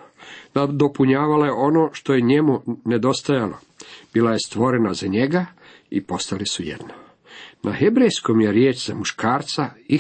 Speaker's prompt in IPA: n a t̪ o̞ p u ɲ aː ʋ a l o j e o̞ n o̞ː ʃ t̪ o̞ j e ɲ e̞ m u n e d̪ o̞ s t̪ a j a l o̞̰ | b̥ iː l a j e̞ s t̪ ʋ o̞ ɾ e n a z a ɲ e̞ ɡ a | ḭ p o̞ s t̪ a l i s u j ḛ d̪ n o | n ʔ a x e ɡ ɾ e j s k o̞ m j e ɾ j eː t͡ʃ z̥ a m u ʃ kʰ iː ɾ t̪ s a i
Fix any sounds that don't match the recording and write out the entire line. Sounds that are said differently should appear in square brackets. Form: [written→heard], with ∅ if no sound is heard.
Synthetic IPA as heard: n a [t̪→d̪] o̞ p u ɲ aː ʋ a l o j e o̞ n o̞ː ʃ t̪ o̞ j e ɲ e̞ m u n e d̪ o̞ s t̪ a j a l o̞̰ | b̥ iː l a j e̞ s t̪ ʋ o̞ ɾ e n a z a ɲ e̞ ɡ a | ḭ p o̞ s t̪ a l i s u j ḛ d̪ n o | n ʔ a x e [ɡ→b] ɾ e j s k o̞ m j e ɾ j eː t͡ʃ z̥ a m u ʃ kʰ [iː→aː] ɾ t̪ s a i